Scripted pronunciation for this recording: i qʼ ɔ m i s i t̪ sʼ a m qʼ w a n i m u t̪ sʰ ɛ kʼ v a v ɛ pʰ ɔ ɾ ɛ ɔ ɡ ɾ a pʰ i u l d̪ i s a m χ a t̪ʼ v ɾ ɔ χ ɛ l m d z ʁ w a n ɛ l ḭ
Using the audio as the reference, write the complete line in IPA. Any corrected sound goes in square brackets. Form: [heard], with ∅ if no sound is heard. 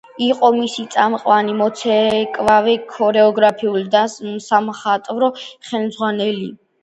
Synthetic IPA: i qʼ ɔ m i s i t̪ sʼ a m qʼ w a n i m [ɔ] t̪ sʰ ɛ kʼ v a v ɛ [kʰ] ɔ ɾ ɛ ɔ ɡ ɾ a pʰ i u l d̪ [a] s a m χ a t̪ʼ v ɾ ɔ χ ɛ l m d z ʁ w a n ɛ l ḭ